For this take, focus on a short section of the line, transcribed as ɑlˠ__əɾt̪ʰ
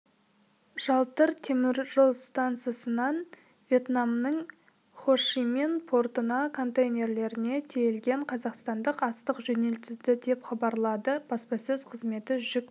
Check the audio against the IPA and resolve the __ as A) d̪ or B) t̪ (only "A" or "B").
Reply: B